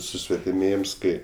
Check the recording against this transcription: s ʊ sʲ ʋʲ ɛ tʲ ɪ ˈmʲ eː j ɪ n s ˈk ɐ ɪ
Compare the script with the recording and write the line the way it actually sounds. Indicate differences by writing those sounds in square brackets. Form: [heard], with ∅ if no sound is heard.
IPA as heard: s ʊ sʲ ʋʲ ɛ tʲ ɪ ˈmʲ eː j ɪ [m] s ˈk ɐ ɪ